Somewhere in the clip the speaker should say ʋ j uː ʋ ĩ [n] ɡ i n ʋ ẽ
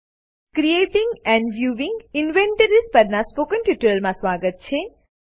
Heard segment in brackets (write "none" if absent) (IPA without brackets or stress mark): ŋ